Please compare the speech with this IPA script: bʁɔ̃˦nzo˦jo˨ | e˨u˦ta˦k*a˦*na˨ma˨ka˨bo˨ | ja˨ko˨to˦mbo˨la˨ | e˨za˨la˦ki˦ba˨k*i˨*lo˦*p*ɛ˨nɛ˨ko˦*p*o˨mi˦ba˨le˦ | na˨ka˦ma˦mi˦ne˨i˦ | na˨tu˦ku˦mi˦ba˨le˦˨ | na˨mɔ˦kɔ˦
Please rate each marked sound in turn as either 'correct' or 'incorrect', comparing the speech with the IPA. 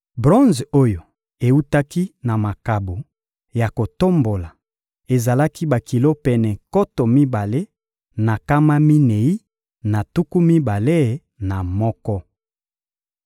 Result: incorrect: i˦, correct, correct, incorrect: t

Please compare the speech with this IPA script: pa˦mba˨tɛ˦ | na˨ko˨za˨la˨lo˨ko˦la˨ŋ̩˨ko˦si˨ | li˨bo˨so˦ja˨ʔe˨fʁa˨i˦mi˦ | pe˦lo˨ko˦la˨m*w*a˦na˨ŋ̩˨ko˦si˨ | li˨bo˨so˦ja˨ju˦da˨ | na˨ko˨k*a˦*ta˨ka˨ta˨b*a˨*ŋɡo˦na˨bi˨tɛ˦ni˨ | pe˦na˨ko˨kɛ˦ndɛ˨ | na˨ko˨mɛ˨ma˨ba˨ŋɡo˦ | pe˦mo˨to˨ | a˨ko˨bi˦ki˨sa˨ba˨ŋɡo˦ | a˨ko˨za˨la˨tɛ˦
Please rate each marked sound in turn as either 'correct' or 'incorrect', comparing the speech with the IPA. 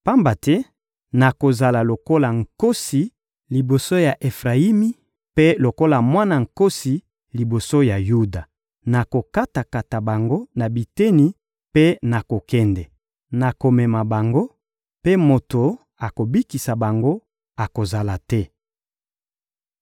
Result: correct, correct, correct

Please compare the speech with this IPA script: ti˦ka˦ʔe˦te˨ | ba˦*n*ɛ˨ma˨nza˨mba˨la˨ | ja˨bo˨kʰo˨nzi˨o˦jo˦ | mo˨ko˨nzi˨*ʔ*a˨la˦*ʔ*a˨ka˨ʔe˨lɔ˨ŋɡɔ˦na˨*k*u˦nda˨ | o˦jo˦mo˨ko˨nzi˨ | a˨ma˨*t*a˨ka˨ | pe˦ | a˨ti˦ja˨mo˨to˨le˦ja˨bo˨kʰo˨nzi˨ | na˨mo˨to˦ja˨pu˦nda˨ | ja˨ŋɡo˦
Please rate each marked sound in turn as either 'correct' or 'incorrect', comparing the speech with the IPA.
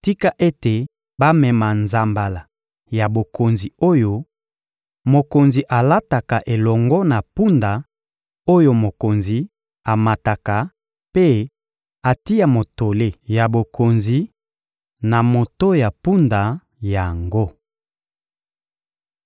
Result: incorrect: m, correct, incorrect: t, incorrect: p, correct

